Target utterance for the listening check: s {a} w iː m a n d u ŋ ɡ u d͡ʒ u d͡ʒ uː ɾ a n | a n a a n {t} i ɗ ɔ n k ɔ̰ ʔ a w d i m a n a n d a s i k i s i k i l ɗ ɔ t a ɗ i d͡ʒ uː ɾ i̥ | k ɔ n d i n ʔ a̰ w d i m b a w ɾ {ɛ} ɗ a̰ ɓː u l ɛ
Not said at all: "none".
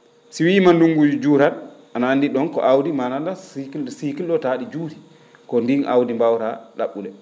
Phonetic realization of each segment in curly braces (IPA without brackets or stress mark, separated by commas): i, d, a